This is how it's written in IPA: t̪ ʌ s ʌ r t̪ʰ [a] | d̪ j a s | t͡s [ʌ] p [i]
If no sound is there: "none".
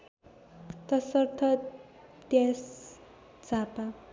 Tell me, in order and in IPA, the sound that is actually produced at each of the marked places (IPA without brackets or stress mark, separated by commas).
ʌ, a, a